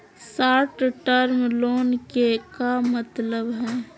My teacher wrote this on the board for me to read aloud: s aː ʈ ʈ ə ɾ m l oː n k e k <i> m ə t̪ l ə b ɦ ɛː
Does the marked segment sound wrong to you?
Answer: yes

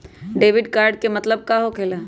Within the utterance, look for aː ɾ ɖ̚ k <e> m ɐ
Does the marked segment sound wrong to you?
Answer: no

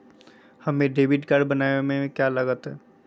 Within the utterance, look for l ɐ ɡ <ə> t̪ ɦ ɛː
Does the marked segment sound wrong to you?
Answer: no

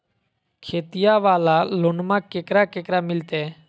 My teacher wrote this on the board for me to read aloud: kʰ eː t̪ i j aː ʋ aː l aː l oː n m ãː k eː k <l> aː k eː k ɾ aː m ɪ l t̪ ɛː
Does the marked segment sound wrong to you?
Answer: yes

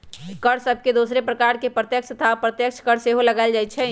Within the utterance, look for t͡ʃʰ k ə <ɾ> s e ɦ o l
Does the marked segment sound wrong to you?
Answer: no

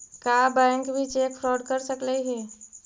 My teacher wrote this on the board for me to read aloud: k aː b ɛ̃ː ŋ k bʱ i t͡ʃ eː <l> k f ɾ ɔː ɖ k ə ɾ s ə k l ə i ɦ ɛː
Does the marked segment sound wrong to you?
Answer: yes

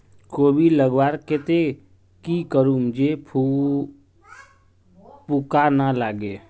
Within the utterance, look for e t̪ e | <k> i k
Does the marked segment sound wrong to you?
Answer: no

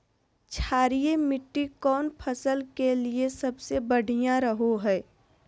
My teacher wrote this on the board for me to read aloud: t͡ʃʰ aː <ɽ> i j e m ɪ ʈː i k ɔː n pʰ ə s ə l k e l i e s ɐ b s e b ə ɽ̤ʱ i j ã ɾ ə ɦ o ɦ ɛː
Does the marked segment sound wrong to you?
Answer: yes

